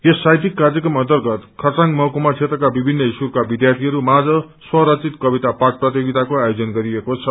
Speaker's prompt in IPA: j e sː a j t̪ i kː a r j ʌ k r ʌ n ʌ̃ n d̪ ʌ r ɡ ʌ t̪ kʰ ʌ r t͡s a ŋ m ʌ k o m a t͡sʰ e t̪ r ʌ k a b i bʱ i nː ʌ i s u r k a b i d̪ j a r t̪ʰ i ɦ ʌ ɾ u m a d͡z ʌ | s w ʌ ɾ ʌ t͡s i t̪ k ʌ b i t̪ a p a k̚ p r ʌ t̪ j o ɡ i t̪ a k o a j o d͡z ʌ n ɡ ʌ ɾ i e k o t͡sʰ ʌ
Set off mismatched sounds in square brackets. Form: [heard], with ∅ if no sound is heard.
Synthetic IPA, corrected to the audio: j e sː a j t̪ i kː a r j ʌ k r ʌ [m] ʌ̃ n [t̪] ʌ r ɡ ʌ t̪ kʰ ʌ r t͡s a ŋ m ʌ k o m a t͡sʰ e t̪ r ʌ k a b i bʱ i nː ʌ i s u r k a b i d̪ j a r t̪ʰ i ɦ ʌ ɾ u m a d͡z ʌ | s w ʌ ɾ ʌ t͡s i t̪ k ʌ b i t̪ a p a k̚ p r ʌ t̪ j o ɡ i t̪ a k o a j o d͡z ʌ n ɡ ʌ ɾ i e k o t͡sʰ ʌ